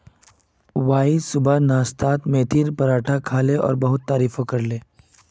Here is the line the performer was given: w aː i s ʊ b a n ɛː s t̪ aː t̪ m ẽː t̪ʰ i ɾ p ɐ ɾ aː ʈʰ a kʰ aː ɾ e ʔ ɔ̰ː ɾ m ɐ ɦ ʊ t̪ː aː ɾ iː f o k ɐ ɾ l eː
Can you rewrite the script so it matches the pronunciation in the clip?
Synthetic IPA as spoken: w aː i s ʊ b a n aː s t̪ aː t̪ m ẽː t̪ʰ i ɾ p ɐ ɾ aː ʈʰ a kʰ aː l e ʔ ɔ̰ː ɾ b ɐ ɦ ʊ t̪ː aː ɾ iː f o k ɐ ɾ l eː